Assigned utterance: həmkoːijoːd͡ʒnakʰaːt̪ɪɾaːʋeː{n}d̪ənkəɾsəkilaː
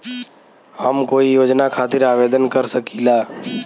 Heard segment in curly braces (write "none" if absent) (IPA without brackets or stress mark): none